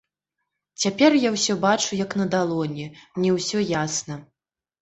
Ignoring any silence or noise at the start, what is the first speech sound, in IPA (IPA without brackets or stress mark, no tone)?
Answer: t͡sʲ